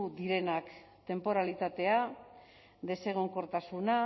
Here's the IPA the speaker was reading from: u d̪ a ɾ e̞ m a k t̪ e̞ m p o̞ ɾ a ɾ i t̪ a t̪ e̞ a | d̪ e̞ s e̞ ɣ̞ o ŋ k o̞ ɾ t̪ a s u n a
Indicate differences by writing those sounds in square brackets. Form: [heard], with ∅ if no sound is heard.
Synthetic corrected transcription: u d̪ [i] ɾ e̞ [n] a k t̪ e̞ m p o̞ ɾ a [l] i t̪ a t̪ e̞ a | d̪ e̞ s e̞ ɣ̞ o ŋ k o̞ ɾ t̪ a s u n a